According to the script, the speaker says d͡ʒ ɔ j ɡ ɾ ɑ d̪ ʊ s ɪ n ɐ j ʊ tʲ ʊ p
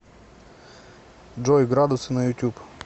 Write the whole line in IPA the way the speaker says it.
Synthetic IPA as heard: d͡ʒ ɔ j ɡ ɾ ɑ d̪ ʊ s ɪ n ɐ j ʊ tʲ u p